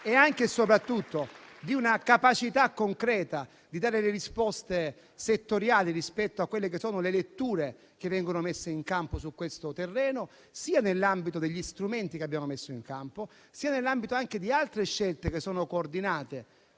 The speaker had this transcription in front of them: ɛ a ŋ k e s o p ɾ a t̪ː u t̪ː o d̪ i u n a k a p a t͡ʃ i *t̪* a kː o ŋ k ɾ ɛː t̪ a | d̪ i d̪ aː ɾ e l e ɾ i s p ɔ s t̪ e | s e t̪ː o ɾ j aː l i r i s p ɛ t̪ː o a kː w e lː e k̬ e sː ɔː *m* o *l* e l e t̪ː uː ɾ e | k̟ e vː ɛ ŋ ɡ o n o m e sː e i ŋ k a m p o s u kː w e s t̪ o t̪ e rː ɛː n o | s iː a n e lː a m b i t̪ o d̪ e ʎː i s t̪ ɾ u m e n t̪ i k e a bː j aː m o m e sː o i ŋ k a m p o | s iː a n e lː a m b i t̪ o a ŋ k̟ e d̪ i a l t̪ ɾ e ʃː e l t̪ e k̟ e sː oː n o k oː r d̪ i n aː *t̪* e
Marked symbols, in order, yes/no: yes, no, yes, yes

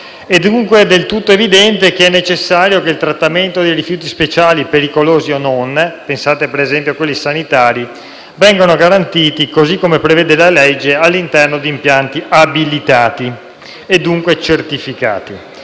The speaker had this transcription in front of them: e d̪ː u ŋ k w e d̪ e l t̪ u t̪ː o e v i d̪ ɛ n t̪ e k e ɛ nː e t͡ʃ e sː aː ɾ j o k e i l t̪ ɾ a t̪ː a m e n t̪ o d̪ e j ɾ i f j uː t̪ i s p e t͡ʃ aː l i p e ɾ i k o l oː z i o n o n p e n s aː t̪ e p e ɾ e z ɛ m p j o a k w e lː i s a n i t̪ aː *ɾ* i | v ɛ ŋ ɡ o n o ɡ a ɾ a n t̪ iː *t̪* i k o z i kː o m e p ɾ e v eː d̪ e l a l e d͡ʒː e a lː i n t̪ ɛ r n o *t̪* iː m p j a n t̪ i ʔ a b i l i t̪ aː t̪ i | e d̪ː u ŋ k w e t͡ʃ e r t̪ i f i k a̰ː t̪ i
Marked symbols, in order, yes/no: yes, yes, no

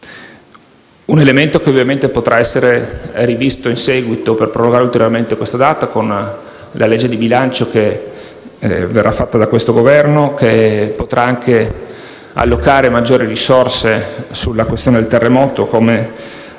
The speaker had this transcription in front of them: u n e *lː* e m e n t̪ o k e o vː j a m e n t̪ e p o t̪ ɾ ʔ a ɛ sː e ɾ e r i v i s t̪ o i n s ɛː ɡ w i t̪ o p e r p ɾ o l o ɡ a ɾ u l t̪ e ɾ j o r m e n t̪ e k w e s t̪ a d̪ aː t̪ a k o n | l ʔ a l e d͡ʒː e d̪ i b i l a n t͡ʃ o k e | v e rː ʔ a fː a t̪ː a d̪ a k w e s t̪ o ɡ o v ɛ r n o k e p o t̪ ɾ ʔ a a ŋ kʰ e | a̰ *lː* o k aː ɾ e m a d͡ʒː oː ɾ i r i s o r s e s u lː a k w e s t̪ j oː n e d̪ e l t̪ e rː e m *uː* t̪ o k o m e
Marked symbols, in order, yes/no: no, yes, no

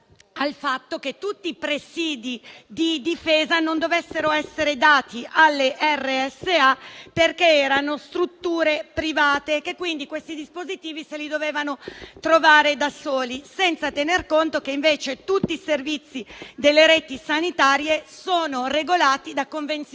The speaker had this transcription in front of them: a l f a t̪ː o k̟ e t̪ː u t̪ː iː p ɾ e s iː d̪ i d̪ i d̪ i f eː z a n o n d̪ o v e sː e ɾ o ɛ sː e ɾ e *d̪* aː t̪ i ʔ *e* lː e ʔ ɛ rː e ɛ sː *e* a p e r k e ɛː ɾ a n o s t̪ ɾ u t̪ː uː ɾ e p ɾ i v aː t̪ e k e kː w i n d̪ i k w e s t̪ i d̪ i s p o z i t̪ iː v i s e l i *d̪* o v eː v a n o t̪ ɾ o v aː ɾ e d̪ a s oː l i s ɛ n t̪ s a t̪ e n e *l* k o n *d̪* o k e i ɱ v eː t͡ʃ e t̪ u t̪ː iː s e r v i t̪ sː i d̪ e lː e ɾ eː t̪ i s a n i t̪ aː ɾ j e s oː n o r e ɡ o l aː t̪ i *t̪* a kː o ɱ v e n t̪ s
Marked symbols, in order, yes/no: yes, no, yes, yes, no, no, no

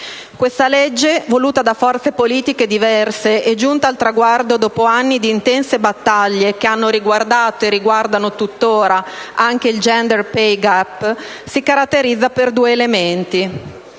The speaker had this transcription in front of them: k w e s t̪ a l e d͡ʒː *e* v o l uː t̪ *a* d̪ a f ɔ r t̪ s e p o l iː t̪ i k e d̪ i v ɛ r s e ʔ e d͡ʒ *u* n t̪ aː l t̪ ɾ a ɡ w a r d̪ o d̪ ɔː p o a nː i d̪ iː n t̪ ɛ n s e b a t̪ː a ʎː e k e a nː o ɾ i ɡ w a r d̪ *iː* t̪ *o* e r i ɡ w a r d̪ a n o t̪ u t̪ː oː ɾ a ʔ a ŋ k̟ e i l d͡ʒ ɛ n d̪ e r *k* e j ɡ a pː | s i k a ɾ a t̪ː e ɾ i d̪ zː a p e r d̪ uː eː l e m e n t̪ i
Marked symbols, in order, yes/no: yes, yes, yes, no, yes, no

